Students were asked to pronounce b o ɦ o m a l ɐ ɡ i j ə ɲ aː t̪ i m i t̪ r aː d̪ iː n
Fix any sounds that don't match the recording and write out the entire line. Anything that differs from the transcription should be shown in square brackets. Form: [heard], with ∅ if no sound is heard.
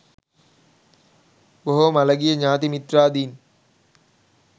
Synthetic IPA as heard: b o ɦ o m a l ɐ ɡ i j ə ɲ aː t̪ i m i t̪ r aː d̪ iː n